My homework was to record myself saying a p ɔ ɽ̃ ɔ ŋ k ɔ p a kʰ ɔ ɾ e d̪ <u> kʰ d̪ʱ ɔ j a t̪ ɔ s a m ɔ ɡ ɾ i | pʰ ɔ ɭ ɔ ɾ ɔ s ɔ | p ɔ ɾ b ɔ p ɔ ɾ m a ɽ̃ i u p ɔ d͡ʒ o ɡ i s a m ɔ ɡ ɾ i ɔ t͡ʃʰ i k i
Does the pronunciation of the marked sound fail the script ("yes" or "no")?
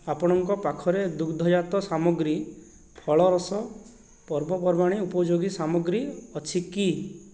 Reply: no